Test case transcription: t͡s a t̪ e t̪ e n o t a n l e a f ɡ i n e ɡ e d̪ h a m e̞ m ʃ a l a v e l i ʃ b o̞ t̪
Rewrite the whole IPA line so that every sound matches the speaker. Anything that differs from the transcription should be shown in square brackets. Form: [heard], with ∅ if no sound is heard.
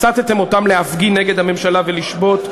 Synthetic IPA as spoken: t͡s a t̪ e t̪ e [m] o t a [m] l e a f ɡ i n e ɡ e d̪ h a m e̞ m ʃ a l a v e l i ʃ b o̞ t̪